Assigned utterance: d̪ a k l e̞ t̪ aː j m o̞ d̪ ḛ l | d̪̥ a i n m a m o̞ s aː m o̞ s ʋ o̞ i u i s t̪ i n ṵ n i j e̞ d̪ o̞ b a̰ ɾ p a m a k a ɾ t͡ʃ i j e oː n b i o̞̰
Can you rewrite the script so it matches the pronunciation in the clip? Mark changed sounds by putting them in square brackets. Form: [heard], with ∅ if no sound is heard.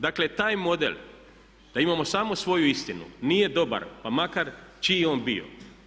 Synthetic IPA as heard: d̪ a k l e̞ t̪ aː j m o̞ d̪ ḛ l | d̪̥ a i [∅] m a m o̞ s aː m o̞ s ʋ o̞ [j] u i s t̪ i n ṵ n i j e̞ d̪ o̞ b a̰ ɾ p a m a k a ɾ t͡ʃ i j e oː n b i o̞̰